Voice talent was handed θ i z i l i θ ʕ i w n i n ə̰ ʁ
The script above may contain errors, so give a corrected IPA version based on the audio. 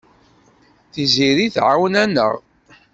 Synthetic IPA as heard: θ i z i ɾ i θ ʕ a w n æ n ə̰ ʁ